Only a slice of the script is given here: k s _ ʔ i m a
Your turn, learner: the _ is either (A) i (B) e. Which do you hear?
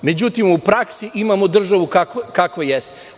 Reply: A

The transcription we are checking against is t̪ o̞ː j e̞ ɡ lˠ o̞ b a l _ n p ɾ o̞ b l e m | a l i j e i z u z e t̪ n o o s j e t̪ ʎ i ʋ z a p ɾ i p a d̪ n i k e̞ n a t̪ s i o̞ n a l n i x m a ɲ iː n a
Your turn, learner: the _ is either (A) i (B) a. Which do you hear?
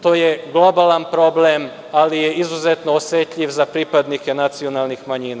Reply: B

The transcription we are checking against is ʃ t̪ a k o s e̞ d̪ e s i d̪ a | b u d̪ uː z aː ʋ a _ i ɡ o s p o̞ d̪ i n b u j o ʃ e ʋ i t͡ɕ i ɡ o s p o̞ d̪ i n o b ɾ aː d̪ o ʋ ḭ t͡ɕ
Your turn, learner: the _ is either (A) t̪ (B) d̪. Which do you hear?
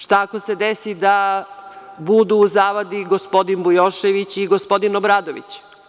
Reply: B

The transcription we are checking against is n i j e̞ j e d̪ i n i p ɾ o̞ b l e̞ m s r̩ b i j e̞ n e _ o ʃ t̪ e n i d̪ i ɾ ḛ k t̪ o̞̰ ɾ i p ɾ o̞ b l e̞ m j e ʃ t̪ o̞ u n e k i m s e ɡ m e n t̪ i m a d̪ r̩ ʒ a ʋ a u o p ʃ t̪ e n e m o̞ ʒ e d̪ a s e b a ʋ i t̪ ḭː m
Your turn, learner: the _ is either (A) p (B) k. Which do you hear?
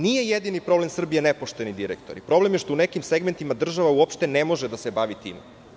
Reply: A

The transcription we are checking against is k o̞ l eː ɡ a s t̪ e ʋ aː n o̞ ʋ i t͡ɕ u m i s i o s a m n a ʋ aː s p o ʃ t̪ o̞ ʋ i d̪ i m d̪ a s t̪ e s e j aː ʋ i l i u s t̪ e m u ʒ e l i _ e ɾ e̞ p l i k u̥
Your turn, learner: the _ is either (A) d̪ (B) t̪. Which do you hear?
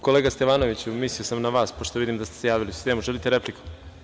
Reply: B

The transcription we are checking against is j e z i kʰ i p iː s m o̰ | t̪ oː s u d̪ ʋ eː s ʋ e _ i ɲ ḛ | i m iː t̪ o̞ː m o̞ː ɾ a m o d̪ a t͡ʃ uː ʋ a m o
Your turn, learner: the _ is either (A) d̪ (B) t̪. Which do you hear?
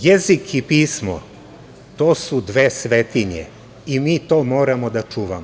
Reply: B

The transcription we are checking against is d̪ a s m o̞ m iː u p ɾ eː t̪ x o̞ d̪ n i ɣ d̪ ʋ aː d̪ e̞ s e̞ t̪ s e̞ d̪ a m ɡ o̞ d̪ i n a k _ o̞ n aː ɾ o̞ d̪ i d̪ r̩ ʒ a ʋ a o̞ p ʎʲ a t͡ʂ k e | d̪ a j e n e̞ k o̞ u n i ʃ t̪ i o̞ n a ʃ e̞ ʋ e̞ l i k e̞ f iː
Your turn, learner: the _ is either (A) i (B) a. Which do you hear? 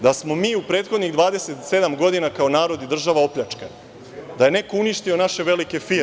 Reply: B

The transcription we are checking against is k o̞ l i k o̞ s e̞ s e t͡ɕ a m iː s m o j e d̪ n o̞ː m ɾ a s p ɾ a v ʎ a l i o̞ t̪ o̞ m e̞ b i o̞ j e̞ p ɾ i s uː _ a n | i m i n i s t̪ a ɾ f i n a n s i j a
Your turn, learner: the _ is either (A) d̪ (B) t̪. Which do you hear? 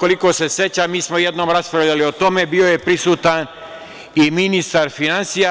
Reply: B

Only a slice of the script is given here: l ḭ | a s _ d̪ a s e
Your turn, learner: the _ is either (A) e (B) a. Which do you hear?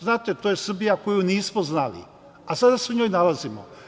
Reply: B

